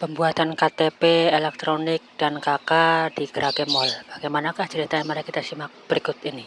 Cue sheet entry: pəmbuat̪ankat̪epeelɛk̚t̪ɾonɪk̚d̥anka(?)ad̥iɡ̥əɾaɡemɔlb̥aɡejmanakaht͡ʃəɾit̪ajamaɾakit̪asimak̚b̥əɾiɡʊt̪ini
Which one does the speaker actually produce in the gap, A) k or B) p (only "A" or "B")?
A